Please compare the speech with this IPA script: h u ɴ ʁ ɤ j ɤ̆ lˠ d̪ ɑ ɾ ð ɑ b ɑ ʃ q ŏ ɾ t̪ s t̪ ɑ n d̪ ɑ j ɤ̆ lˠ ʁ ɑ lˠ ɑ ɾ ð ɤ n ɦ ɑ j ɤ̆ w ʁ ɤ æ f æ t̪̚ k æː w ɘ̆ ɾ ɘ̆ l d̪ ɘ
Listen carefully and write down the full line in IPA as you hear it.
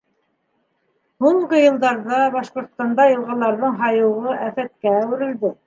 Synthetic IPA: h u ɴ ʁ ɤ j ɤ̆ lˠ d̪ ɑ ɾ ð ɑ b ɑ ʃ q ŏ ɾ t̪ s t̪ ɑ n d̪ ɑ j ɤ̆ lˠ ʁ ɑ lˠ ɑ ɾ ð ɤ ɴ ɦ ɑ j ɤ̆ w ʁ ɤ æ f æ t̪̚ k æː w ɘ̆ ɾ ɘ̆ l d̪ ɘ